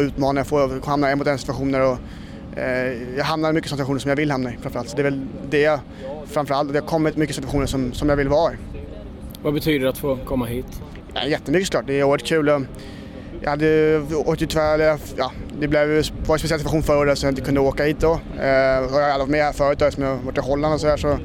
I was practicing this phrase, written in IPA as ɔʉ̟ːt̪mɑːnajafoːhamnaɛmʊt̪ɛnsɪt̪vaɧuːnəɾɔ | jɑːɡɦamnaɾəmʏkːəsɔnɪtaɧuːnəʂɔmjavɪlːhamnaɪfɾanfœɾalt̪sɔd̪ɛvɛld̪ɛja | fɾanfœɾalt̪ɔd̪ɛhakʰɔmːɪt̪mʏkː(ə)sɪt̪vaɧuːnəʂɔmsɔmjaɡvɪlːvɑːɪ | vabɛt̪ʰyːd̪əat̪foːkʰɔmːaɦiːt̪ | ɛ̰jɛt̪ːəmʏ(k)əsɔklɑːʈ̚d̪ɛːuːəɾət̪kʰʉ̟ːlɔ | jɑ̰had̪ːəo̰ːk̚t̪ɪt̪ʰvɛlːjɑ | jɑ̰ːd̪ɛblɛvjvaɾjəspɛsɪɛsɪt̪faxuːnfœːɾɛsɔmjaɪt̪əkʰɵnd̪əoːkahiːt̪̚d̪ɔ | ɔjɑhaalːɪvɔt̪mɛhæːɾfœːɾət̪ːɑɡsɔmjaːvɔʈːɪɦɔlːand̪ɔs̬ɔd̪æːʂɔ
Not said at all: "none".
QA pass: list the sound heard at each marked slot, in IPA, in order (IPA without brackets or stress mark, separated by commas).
ə, k